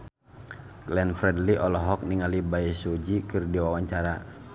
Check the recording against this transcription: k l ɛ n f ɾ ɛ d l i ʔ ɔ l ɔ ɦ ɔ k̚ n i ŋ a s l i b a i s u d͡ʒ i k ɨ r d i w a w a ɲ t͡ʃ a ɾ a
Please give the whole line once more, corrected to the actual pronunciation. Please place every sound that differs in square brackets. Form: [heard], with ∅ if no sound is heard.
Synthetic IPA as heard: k l ɛ n f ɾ ɛ d l i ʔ ɔ l ɔ ɦ ɔ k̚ n i ŋ a [∅] l i b a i s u d͡ʒ i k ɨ r d i w a w a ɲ t͡ʃ a ɾ a